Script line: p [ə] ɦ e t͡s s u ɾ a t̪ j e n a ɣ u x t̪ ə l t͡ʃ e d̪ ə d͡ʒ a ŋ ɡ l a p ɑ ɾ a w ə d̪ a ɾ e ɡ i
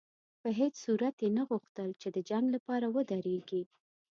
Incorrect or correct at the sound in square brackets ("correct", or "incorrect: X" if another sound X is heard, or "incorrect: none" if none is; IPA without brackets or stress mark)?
correct